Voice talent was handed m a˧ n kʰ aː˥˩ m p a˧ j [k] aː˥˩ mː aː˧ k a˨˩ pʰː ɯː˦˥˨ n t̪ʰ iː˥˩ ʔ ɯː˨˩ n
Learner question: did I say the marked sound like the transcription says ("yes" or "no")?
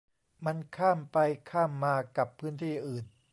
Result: no